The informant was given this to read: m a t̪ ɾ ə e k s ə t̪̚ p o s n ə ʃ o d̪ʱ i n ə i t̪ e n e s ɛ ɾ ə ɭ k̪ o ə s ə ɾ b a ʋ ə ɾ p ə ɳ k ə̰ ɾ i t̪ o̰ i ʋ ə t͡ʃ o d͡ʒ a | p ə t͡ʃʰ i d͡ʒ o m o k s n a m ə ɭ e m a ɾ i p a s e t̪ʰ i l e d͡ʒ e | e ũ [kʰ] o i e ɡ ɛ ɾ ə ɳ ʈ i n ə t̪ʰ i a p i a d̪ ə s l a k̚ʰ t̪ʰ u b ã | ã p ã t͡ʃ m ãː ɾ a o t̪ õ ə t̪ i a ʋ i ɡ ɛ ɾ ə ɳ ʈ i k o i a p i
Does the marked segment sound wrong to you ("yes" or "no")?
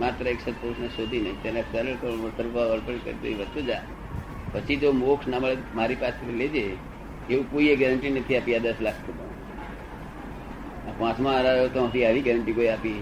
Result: yes